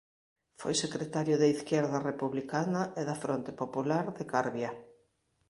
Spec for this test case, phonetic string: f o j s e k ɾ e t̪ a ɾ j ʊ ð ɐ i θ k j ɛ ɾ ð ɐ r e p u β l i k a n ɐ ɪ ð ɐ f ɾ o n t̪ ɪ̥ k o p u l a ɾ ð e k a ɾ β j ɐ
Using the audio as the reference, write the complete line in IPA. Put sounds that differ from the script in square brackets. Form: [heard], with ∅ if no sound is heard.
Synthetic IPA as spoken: f o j s e k ɾ e t̪ a ɾ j ʊ ð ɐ i θ k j ɛ ɾ ð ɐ r e p u β l i k a n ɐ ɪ ð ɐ f ɾ o n t̪ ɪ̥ [p] o p u l a ɾ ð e k a ɾ β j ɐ